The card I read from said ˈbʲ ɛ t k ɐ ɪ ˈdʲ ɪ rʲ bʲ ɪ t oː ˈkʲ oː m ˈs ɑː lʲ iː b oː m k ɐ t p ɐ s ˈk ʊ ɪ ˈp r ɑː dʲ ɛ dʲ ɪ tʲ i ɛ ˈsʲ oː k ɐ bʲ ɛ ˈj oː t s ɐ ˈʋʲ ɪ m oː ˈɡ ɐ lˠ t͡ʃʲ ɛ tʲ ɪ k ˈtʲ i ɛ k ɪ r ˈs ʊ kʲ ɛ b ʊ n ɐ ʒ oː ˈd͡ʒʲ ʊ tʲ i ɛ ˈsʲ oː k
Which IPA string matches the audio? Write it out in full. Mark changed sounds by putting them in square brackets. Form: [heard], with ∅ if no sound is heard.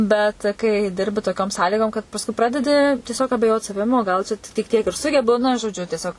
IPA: ˈbʲ ɛ t k ɐ ɪ ˈdʲ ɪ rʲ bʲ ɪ t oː ˈkʲ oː m ˈs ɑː lʲ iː [ɡ] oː m k ɐ t p ɐ s ˈk ʊ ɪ ˈp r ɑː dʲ ɛ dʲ ɪ tʲ i ɛ ˈsʲ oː k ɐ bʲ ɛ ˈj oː t s ɐ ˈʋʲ ɪ m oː ˈɡ ɐ lˠ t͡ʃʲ ɛ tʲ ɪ k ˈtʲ i ɛ k ɪ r ˈs ʊ [ɡʲ] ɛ b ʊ n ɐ ʒ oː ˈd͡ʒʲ ʊ tʲ i ɛ ˈsʲ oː k

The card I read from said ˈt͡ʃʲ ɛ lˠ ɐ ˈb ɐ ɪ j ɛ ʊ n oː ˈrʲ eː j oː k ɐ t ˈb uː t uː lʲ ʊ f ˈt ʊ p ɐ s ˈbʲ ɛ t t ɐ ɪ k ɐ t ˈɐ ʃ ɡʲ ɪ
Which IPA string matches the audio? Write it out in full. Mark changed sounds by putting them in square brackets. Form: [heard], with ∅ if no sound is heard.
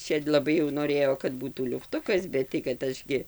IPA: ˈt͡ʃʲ ɛ lˠ ɐ ˈb ɐ ɪ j ɛ ʊ n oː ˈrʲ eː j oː k ɐ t ˈb uː t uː lʲ ʊ f ˈt ʊ [k] ɐ s ˈbʲ ɛ t t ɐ ɪ k ɐ t ˈɐ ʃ ɡʲ ɪ

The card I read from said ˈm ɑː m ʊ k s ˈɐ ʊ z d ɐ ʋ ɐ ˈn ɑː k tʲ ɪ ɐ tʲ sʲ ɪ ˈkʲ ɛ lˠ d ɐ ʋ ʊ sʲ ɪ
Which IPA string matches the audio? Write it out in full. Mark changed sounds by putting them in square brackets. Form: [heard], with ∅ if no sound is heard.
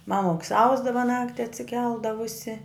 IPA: ˈm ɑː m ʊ k s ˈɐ ʊ z d ɐ ʋ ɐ ˈn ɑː k tʲ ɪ ɐ tʲ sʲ ɪ ˈkʲ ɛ lˠ d ɐ ʋ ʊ sʲ ɪ

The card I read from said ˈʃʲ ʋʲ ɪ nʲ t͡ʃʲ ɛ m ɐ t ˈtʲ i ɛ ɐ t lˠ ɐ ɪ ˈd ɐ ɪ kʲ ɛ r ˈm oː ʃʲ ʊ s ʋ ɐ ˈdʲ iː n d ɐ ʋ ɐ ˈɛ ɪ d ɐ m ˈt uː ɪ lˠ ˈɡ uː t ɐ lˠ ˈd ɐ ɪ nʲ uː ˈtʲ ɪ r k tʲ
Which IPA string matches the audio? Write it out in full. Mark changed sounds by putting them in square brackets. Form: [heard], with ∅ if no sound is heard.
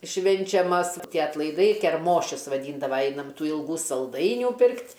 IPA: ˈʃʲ ʋʲ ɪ nʲ t͡ʃʲ ɛ m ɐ [s] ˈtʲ i ɛ ɐ t lˠ ɐ ɪ ˈd ɐ ɪ kʲ ɛ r ˈm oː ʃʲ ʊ s ʋ ɐ ˈdʲ iː n d ɐ ʋ ɐ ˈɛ ɪ [n] ɐ m ˈt uː ɪ lˠ ˈɡ uː [s] ɐ lˠ ˈd ɐ ɪ nʲ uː [ˈpʲ] ɪ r k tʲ

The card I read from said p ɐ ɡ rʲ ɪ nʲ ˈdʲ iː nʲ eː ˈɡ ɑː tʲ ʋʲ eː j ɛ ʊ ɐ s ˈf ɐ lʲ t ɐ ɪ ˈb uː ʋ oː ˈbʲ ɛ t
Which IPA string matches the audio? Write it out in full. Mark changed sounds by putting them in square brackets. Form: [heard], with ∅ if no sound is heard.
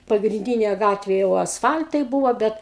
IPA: p ɐ ɡ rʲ ɪ nʲ ˈdʲ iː nʲ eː ˈɡ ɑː tʲ ʋʲ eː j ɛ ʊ ɐ s ˈf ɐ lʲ t ɐ ɪ ˈb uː ʋ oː ˈbʲ ɛ t

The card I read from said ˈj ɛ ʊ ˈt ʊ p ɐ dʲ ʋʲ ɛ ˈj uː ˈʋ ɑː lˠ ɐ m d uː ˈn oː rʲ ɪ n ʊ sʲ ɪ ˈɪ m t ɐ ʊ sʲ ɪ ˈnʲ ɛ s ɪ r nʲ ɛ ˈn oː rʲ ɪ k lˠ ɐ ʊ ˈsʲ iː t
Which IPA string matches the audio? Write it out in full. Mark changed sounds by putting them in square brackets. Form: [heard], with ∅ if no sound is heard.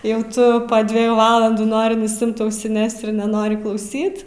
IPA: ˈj ɛ ʊ ˈt ʊ p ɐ dʲ ʋʲ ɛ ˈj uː ˈʋ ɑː lˠ ɐ [n] d uː ˈn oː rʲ ɪ n ʊ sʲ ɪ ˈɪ m t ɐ ʊ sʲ ɪ ˈnʲ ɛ s ɪ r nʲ ɛ ˈn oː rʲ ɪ k lˠ ɐ ʊ ˈsʲ iː t

